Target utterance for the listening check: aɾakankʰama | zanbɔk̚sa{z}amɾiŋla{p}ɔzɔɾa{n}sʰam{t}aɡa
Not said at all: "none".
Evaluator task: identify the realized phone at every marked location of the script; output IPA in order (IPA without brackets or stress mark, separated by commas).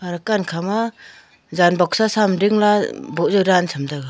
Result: s, b, n, d